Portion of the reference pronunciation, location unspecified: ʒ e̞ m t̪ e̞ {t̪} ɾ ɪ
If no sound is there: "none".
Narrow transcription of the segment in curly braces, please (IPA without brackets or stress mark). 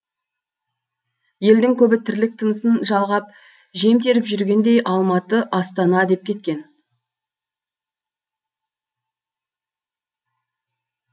none